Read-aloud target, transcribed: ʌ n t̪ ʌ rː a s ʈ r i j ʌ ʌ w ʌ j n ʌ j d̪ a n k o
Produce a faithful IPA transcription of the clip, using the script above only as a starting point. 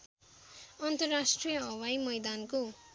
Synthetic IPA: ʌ n t̪ ʌ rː a s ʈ r i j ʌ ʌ w a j m ʌ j d̪ a n k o